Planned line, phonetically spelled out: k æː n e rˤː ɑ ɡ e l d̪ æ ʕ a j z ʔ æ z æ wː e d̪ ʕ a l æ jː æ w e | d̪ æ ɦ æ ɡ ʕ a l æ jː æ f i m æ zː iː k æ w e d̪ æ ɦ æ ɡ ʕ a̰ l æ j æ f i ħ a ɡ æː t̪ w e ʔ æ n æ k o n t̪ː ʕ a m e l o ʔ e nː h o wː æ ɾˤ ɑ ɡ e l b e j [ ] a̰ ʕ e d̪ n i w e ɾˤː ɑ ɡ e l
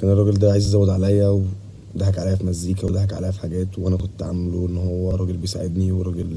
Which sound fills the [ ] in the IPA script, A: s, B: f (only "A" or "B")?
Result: A